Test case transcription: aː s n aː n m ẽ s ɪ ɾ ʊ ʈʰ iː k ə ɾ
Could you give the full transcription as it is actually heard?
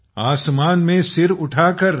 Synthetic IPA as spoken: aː s m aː n m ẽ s ɪ ɾ ʊ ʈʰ aː k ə ɾ

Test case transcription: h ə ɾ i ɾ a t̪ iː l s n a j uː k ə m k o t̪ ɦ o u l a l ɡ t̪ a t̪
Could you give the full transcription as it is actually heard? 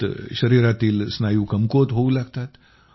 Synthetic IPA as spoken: ɕ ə ɾ i ɾ a t̪ iː l s n a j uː k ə m k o t̪ ɦ o u l a ɡ t̪ a t̪

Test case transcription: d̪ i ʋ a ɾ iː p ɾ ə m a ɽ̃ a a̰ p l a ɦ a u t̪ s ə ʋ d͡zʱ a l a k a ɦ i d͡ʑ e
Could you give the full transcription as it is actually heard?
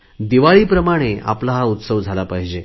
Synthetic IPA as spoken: d̪ i ʋ a ɭ iː p ɾ ə m a ɽ̃ e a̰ p l a ɦ a u t̪ s ə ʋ d͡zʱ a l a p a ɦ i d͡ʑ e

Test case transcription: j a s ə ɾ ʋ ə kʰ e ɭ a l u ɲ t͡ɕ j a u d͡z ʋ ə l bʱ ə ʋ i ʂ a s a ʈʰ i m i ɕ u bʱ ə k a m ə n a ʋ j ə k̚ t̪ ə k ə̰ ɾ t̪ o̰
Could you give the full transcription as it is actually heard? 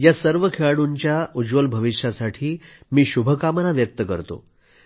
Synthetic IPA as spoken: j a s ə ɾ ʋ ə kʰ e ɭ a ɽ u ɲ t͡ɕ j a u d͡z ʋ ə l bʱ ə ʋ i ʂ a s a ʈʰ iː m iː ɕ u bʱ ə k a m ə n a ʋ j ə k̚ t̪ ə k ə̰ ɾ t̪ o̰

